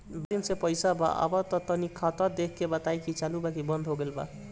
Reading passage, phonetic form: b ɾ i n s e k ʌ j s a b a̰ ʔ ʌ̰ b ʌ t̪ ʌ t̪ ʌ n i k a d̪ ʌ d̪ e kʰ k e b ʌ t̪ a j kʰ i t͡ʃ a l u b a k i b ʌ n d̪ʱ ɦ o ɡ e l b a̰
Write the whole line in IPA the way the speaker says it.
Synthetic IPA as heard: b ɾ i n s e p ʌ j s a b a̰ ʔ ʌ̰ b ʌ t̪ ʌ t̪ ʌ n i kʰ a t̪ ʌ d̪ e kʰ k e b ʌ t̪ a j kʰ i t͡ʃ a l u b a k i b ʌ n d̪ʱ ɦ o ɡ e l b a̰